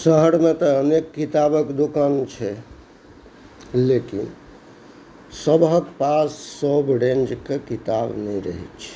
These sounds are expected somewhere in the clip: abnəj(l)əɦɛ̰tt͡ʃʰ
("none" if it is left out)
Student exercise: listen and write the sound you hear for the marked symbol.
ɾ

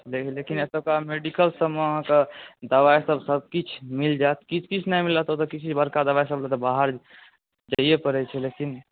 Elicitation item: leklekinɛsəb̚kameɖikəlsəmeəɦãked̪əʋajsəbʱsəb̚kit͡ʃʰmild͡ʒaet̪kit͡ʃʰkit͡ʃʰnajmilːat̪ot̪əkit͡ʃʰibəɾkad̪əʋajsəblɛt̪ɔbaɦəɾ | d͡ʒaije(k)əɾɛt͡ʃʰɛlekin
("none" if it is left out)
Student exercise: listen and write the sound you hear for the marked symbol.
p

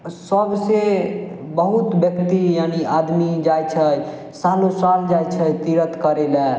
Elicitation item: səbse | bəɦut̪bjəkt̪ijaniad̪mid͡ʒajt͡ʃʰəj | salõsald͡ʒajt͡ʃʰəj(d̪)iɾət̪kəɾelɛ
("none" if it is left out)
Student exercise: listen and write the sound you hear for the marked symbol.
t̪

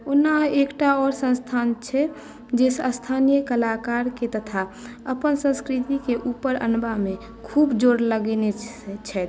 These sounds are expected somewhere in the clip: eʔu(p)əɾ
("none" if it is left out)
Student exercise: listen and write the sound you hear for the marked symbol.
p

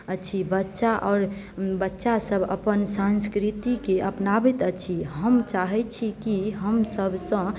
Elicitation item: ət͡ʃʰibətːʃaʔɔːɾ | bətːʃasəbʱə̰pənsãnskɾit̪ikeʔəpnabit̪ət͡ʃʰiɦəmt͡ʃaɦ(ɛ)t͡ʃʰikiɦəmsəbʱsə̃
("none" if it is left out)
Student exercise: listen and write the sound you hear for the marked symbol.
ɛ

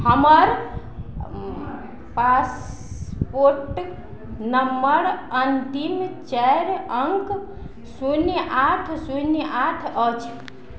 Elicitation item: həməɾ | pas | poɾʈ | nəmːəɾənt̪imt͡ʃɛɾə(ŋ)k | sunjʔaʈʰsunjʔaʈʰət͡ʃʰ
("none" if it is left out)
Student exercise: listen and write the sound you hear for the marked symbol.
ŋ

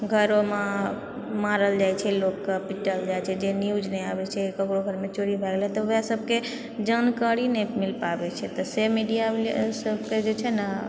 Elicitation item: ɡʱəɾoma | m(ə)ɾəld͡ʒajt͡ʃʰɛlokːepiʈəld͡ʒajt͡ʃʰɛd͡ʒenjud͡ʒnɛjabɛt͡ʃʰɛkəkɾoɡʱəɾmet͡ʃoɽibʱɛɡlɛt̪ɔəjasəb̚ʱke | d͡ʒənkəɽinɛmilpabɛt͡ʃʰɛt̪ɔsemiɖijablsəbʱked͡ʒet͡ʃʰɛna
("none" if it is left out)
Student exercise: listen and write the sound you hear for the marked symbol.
a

